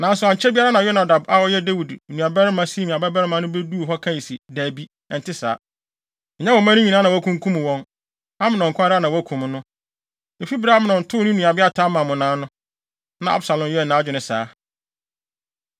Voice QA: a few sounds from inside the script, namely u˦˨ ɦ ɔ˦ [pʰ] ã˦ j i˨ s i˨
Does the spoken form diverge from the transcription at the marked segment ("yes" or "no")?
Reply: yes